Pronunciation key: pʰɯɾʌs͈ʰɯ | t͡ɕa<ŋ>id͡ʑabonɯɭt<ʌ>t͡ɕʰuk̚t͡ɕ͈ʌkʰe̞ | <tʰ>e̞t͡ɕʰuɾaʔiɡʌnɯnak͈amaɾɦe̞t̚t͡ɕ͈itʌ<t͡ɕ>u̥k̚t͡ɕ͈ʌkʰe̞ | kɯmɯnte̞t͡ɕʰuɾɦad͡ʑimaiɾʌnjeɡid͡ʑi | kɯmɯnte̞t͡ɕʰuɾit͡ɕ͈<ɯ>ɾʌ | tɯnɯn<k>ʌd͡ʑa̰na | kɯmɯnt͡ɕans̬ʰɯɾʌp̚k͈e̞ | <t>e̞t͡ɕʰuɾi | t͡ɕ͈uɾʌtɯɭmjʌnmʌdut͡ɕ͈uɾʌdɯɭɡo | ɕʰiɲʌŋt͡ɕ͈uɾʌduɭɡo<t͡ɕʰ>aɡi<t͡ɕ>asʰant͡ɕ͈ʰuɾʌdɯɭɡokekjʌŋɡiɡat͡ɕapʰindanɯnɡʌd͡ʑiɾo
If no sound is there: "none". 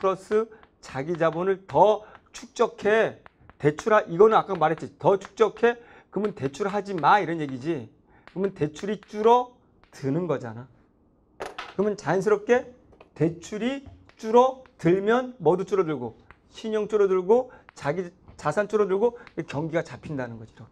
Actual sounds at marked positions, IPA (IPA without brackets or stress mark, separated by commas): ɡ, ʌ, t, t͡ɕʰ, u, ɡ, t, t͡ɕ, t͡ɕ